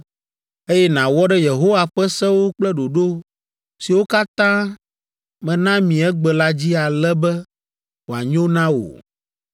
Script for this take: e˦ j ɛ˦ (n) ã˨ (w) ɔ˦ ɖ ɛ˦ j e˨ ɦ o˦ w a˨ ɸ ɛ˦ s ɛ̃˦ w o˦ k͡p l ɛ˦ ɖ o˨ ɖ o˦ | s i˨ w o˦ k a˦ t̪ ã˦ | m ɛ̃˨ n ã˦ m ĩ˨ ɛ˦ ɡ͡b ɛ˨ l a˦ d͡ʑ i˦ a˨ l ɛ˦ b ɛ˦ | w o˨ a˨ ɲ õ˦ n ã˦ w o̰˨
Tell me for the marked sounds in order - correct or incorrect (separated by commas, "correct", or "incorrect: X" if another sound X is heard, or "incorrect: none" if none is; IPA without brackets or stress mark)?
correct, correct